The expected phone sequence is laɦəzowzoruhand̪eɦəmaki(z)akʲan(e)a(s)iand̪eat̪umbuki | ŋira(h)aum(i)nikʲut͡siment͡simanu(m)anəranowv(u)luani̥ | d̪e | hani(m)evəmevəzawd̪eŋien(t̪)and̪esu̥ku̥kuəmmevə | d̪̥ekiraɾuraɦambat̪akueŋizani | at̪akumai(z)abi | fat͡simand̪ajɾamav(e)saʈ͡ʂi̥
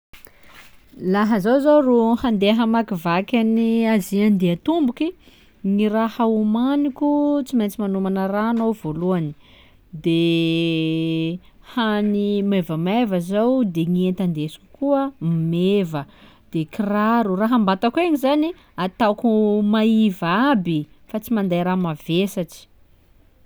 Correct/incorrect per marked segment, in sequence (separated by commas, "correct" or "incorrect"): incorrect, incorrect, incorrect, correct, incorrect, correct, incorrect, correct, correct, incorrect, correct